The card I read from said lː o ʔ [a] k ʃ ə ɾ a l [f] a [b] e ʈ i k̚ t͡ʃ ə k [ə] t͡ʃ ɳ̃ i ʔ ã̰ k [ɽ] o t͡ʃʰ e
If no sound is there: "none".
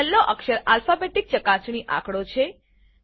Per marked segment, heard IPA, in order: ə, f, b, a, ɽ

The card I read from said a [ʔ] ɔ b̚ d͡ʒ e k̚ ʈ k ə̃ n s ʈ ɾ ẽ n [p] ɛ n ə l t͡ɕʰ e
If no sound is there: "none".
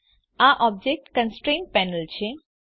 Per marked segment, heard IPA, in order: ʔ, p

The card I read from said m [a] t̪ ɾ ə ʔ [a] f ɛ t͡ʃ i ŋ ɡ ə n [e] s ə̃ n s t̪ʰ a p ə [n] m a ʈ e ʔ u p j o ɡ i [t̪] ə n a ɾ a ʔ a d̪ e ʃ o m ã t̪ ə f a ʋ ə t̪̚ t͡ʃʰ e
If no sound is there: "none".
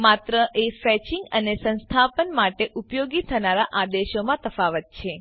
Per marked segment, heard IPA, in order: a, e, e, n, t̪ʰ

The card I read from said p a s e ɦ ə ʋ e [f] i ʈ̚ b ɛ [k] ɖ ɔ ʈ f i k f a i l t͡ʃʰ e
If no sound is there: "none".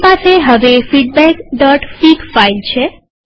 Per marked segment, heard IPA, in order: f, k

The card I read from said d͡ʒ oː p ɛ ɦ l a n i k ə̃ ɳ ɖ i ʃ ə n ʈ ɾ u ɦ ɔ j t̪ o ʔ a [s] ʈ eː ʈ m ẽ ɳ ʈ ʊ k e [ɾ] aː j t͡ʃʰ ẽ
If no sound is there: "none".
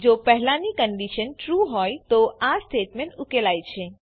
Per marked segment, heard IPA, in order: s, l

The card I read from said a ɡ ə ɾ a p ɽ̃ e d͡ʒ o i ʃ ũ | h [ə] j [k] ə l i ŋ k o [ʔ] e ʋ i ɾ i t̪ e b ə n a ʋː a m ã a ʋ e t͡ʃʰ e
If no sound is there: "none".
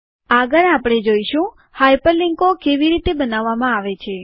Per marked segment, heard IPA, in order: a, p, k

